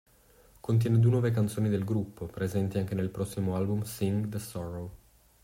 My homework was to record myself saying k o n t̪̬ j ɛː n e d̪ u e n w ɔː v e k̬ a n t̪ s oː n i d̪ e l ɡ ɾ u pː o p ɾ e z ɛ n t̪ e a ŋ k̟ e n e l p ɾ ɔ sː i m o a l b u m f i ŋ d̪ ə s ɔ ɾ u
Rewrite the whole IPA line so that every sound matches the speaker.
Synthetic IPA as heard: k o n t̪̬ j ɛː n e d̪ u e n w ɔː v e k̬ a n t̪ s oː n i d̪ e l ɡ ɾ u pː o p ɾ e z ɛ n t̪ i a ŋ k̟ e n e l p ɾ ɔ sː i m o a l b u m s i ŋ d̪ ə s ɔ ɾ o

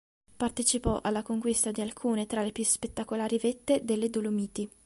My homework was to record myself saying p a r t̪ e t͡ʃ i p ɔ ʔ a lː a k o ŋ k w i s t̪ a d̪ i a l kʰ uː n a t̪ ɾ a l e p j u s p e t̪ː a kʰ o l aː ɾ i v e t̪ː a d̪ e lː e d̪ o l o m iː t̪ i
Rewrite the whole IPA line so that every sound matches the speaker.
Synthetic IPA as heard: p a r t̪ e t͡ʃ i p ɔ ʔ a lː a k o ŋ k w i s t̪ a d̪ i a l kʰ uː n e t̪ ɾ a l e p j u s p e t̪ː a k o l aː ɾ i v e t̪ː e d̪ e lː e d̪ o l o m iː t̪ i

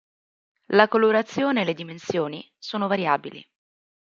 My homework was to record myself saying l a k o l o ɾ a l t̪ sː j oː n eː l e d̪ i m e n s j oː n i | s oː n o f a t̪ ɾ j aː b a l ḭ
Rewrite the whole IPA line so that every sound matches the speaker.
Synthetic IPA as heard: l a k o l o ɾ a t̪ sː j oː n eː l e d̪ i m e n s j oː n i | s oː n o v a ɾ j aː b i l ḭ

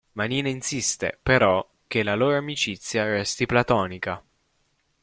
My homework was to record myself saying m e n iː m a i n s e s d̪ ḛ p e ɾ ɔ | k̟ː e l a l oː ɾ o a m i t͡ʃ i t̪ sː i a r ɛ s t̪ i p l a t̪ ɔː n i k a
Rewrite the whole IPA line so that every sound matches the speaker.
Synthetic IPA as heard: m a n iː n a i n s i s t̪ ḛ p e ɾ ɔ | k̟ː e l a l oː ɾ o a m i t͡ʃ i t̪ sː j a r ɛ s t̪ i p l a t̪ ɔː n i k a

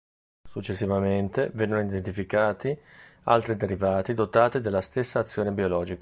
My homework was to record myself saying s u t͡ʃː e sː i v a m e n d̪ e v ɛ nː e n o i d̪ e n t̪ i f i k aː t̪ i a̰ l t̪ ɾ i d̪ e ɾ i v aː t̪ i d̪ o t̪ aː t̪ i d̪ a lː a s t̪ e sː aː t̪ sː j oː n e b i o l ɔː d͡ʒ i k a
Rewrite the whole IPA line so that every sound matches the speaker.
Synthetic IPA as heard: s u t͡ʃː e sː i v a m e n t̪ e v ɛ nː e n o i d̪ e n t̪ i f i k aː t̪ i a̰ l t̪ ɾ i d̪ e ɾ i v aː t̪ i d̪ o t̪ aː t̪ i d̪ e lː a s t̪ e sː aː t̪ sː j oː n e b i o l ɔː d͡ʒ i k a

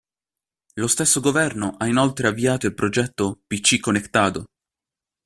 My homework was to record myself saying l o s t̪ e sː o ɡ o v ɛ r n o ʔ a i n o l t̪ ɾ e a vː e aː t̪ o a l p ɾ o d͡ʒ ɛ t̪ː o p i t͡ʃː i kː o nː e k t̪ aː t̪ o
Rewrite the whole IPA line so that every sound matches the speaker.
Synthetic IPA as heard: l o s t̪ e sː o ɡ o v ɛ r n o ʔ a i n o l t̪ ɾ e a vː i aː t̪ o i l p ɾ o d͡ʒ ɛ t̪ː o p i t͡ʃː i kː o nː e k t̪ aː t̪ o

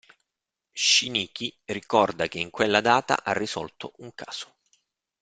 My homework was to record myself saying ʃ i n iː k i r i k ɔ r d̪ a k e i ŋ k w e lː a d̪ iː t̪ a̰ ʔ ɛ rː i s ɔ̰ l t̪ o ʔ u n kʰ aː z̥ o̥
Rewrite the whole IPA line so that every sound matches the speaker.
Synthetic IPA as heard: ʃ i n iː k i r i k ɔ r d̪ a k e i ŋ k w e lː a d̪ aː t̪ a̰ ʔ a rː i s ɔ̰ l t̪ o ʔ u ŋ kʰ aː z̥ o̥

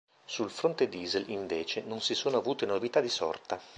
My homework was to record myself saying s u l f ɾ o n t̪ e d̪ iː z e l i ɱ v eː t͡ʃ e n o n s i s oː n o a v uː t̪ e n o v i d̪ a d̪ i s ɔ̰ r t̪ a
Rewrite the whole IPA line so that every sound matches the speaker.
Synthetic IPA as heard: s u l f ɾ o n t̪ e d̪ iː z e l i ɱ v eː t͡ʃ e n o n s i s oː n o a v uː t̪ e n o v i t̪ a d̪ i s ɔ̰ r t̪ a

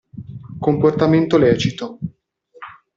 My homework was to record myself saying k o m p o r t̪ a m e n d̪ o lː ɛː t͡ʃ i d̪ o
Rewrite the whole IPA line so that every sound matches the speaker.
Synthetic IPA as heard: k o m p o r t̪ a m e n t̪ o l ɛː t͡ʃ i t̪ o

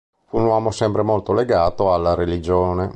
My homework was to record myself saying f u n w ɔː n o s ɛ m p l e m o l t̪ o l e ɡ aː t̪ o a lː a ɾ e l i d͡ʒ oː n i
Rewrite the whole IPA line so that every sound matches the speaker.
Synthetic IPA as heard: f u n w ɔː m o s ɛ m p ɾ e m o l t̪ o l e ɡ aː t̪ o a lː a ɾ e l i d͡ʒ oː n e

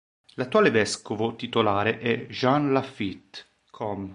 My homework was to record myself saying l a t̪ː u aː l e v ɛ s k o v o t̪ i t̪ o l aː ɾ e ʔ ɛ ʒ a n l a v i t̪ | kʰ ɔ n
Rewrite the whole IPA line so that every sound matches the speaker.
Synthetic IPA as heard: l a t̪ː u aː l e v ɛ s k o v o t̪ i t̪ o l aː ɾ e ʔ ɛ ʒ a n l a f i t̪ | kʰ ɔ m

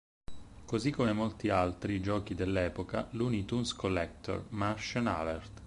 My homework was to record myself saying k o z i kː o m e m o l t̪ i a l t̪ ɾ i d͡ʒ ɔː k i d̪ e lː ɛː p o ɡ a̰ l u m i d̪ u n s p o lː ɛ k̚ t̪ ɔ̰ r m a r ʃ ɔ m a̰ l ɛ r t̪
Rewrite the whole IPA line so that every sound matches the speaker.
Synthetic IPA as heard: k o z i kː o m e m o l t̪ i a l t̪ ɾ i d͡ʒ ɔː k i d̪ e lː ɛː p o k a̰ l u n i t̪ u n s k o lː ɛ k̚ t̪ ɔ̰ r m a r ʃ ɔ n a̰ l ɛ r t̪

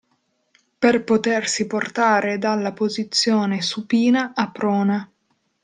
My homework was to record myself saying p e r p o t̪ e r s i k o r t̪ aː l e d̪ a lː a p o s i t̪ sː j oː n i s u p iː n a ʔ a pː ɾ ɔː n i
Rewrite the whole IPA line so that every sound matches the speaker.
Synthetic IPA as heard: p e r p o t̪ e r s i p o r t̪ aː ɾ e d̪ a lː a p o z i t̪ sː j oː n e s u p iː n a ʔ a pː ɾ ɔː n a

